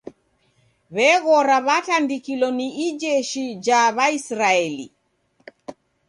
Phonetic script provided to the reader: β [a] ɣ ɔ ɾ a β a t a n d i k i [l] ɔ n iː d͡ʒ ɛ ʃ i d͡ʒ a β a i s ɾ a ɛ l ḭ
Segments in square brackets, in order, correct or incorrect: incorrect, correct

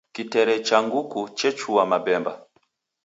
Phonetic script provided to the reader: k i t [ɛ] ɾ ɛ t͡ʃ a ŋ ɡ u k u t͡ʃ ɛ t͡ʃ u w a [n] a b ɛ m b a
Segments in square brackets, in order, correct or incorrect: correct, incorrect

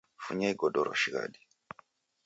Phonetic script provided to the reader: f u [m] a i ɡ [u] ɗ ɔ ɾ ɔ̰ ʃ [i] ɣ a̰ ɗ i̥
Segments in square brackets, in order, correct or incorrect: incorrect, incorrect, correct

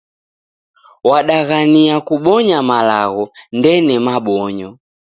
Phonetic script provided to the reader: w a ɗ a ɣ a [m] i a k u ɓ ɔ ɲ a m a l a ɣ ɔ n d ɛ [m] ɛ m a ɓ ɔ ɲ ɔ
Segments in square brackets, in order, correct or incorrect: incorrect, incorrect

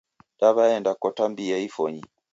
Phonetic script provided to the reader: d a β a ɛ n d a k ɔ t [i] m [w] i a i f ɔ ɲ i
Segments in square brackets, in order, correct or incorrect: incorrect, incorrect

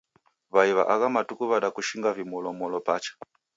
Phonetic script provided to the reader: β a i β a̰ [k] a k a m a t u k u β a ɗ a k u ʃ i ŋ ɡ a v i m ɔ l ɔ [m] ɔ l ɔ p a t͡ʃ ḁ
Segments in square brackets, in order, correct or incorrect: incorrect, correct

